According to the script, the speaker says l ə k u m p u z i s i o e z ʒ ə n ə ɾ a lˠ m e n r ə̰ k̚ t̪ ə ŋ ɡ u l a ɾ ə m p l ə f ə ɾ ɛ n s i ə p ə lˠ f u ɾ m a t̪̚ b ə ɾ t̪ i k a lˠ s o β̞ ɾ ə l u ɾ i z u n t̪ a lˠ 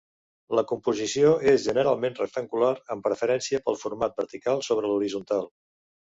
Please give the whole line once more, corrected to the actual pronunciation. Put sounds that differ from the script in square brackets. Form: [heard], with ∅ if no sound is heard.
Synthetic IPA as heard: l ə k u m p u z i s i o e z ʒ ə n ə ɾ a lˠ m e n r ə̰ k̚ t̪ ə ŋ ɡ u l a ɾ ə m p [ɾ] ə f ə ɾ ɛ n s i ə p ə lˠ f u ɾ m a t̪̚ b ə ɾ t̪ i k a lˠ s o β̞ ɾ ə l u ɾ i z u n t̪ a lˠ